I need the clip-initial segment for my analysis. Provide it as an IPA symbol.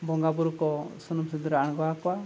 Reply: b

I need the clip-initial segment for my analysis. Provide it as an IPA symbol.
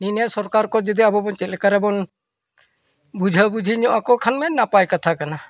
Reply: n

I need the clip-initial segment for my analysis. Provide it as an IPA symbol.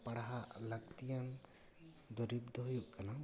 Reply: p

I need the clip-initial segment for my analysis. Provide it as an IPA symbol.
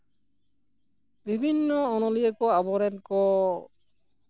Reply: b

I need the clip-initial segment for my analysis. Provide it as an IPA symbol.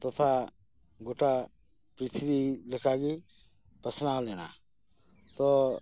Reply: t̪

